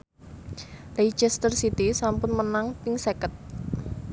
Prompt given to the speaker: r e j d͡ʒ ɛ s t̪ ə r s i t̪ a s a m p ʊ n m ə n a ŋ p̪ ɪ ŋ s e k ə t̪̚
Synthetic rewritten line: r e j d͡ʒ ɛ s t̪ ə r s i t̪ i s a m p ʊ n m ə n a ŋ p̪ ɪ ŋ s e k ə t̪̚